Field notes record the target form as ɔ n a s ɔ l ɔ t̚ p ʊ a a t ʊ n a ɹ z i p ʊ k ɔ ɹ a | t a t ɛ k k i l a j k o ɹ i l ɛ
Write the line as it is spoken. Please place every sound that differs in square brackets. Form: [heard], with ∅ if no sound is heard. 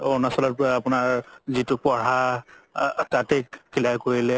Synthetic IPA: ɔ n a s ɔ l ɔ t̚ p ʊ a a [p] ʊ n a ɹ z i [t] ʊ [p] ɔ ɹ a | t a t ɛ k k i l a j k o ɹ i l ɛ